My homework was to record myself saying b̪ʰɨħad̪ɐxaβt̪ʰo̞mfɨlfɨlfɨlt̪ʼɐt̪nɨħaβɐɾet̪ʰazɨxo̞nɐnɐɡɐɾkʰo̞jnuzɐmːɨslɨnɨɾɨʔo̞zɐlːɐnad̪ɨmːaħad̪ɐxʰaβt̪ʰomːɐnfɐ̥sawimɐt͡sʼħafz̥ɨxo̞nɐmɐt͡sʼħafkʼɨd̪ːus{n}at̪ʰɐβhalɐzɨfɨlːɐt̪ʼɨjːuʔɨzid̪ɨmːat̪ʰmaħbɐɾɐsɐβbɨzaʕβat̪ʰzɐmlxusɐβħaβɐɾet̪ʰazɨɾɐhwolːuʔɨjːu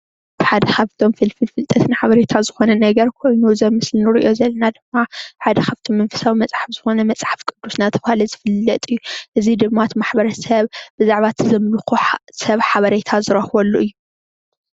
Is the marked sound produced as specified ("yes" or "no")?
yes